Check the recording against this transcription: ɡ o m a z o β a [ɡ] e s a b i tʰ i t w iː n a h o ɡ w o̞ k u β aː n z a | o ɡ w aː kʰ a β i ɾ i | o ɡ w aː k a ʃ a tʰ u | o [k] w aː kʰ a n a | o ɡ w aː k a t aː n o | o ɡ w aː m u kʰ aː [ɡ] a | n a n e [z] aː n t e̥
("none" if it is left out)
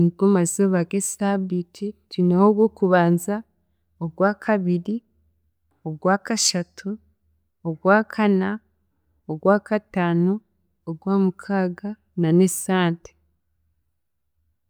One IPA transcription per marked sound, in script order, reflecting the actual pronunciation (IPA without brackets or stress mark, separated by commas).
ɡ, ɡ, ɡ, s